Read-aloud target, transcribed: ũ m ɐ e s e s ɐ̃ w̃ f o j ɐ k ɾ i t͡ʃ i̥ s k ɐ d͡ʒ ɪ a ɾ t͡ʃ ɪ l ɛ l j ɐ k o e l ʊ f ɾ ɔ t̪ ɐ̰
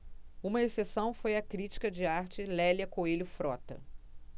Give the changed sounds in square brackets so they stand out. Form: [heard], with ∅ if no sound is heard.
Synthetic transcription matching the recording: ũ m ɐ e s e s ɐ̃ w̃ f o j ɐ k ɾ i t͡ʃ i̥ [∅] k ɐ d͡ʒ ɪ a ɾ t͡ʃ ɪ l ɛ l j ɐ k o e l ʊ f ɾ ɔ t̪ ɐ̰